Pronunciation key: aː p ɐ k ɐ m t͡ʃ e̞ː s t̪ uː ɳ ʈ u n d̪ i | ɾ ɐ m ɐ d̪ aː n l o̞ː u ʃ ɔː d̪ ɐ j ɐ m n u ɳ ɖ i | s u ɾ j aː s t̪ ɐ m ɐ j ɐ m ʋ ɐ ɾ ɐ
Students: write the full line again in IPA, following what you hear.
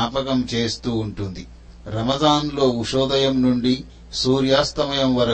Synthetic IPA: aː p ɐ k ɐ m t͡ʃ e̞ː s t̪ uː ɳ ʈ u n d̪ i | ɾ ɐ m ɐ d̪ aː n l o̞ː u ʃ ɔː d̪ ɐ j ɐ m n u ɳ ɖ i | s uː ɾ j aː s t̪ ɐ m ɐ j ɐ m ʋ ɐ ɾ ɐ